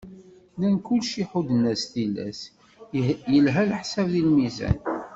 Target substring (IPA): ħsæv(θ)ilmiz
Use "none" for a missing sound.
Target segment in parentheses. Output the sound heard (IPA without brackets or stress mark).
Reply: ð